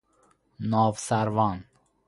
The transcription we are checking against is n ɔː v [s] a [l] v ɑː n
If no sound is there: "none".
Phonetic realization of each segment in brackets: s, ɾ

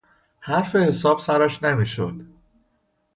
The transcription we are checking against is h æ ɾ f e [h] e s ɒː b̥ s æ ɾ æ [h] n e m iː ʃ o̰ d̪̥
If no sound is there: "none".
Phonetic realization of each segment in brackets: h, ʃ

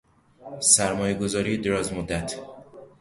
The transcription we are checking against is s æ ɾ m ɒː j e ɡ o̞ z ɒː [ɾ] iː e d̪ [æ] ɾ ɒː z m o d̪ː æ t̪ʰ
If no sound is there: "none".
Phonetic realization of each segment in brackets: ɾ, e

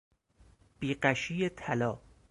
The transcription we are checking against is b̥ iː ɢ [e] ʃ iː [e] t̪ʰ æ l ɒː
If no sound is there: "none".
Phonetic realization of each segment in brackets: æ, e

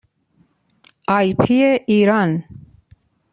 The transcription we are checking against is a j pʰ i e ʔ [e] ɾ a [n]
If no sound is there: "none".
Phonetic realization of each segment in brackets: i, n

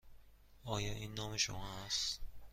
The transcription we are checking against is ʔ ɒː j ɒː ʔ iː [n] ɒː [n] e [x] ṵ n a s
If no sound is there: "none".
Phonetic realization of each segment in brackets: nː, m, ʃ

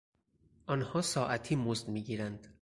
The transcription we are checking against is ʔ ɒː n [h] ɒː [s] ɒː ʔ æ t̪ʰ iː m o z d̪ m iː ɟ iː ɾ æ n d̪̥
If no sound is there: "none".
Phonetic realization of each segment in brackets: h, s

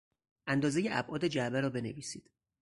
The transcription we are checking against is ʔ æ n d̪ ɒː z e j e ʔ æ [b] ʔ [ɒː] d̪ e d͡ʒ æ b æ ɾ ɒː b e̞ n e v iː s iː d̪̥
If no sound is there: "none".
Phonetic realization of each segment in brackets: b, ɒː

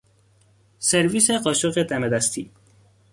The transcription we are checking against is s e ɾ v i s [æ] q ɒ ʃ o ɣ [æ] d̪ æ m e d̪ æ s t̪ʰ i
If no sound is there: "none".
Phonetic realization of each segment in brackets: e, e

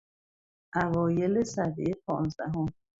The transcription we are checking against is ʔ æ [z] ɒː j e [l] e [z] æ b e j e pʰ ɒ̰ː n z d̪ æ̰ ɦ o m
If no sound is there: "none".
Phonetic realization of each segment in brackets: v, l, s

